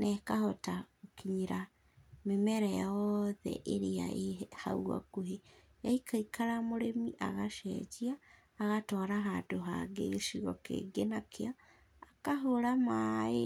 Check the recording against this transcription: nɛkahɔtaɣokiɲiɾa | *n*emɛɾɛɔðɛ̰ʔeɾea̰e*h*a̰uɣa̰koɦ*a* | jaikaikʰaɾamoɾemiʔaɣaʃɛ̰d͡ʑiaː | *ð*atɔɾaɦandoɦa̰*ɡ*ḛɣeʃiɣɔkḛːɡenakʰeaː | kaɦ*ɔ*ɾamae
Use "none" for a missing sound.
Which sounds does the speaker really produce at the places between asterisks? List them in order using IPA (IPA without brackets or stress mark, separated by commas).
m, h, e, ɣ, ɡ, o